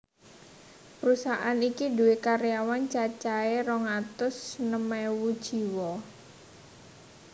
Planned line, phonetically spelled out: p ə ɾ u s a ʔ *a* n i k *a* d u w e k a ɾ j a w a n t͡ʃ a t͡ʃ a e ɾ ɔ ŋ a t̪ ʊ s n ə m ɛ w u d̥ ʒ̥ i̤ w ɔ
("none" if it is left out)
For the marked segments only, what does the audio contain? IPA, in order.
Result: a, i

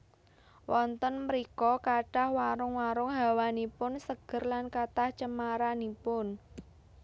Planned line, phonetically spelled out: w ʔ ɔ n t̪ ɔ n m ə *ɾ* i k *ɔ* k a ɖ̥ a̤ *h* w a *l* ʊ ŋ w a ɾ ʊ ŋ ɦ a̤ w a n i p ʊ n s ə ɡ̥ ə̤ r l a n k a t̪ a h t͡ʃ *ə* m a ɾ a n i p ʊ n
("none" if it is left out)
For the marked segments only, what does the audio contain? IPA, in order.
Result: ɾ, ɔ, h, ɾ, ə

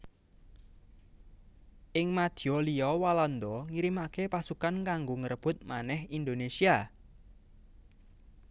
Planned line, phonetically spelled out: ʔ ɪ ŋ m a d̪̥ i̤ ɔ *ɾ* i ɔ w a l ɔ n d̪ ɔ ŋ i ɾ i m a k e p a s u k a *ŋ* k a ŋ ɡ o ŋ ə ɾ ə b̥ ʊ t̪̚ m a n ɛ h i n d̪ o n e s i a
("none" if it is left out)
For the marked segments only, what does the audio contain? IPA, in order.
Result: l, n

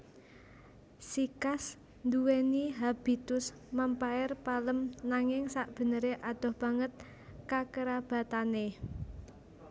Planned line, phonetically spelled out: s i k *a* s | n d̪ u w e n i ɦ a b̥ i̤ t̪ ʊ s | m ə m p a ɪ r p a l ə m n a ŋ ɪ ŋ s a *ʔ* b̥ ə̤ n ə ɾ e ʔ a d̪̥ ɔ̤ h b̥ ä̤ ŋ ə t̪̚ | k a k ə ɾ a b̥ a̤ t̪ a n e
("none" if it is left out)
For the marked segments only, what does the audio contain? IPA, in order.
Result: a, ʔ

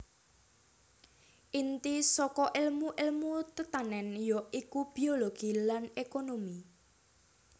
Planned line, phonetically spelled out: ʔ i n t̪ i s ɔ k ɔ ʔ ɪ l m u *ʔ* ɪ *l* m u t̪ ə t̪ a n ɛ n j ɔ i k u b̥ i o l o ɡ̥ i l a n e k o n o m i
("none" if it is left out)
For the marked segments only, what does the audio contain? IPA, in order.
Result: ʔ, l

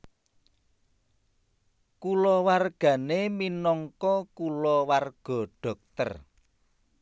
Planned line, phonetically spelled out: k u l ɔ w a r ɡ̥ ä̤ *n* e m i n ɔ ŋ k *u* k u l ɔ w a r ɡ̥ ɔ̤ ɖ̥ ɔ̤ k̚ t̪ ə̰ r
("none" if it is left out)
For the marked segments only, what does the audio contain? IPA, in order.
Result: n, ɔ

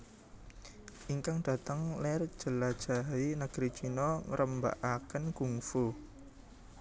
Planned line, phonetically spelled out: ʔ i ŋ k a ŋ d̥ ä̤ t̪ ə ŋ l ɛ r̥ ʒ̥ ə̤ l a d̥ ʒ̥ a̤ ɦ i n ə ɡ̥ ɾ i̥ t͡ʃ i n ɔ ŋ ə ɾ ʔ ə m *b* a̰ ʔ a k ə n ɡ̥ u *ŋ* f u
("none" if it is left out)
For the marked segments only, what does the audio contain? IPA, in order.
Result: b, ŋ

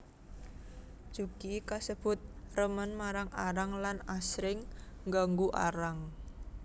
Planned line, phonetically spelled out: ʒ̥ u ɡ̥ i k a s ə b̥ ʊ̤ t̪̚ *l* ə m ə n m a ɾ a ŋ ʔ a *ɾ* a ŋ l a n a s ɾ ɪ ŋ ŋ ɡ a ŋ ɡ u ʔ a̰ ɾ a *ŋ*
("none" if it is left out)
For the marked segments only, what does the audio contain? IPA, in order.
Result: r, ɾ, ŋ

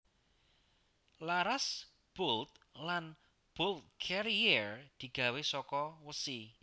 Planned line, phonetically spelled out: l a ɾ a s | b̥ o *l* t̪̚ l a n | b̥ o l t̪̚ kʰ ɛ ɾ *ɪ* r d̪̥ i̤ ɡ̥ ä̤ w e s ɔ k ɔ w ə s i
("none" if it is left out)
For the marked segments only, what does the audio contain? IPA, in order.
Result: l, i

